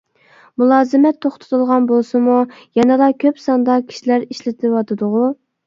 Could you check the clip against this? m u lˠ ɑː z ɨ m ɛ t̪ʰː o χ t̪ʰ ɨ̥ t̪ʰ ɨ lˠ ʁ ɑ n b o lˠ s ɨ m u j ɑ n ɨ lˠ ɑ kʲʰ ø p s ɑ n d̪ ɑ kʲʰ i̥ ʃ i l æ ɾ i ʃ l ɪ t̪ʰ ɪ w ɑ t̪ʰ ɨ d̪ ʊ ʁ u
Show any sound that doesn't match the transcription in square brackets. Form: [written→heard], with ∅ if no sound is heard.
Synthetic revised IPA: m u lˠ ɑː z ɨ m ɛ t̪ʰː o χ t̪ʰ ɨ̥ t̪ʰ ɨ lˠ ʁ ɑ n b o lˠ s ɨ m u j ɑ n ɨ lˠ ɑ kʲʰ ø p s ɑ n d̪ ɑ kʲʰ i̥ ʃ i l æ ɾ i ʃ l ɪ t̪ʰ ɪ w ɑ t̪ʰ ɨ d̪ ʊ ʁ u